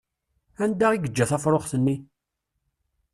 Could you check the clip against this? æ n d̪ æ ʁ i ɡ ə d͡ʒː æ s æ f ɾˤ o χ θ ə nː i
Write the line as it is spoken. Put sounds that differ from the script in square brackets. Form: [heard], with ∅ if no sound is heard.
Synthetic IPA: æ n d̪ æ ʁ i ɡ ə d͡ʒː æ [θ] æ f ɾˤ o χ θ ə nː i

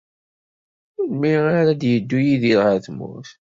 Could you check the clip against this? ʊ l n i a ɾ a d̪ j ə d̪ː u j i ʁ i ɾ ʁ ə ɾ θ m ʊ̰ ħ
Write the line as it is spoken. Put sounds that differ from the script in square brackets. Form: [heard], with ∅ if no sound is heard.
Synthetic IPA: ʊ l [m] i a ɾ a d̪ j ə d̪ː u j i [ð] i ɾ ʁ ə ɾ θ m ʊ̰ [θ]

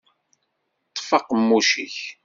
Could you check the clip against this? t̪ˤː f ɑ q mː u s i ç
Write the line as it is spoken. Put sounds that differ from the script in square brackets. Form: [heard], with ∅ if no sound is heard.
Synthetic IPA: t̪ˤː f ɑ q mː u [ʃ] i ç

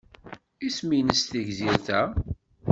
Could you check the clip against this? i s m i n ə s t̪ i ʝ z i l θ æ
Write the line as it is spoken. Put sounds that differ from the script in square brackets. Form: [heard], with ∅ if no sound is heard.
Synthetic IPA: i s m i n ə s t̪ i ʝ z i [ɾ] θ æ

